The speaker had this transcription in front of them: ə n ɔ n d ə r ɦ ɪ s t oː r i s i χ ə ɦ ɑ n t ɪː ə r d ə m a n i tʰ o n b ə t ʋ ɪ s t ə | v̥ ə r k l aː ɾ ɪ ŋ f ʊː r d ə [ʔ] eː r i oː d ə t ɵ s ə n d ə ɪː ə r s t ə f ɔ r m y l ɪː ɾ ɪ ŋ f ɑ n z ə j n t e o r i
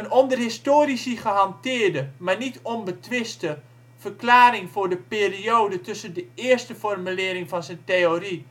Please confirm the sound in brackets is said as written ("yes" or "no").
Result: no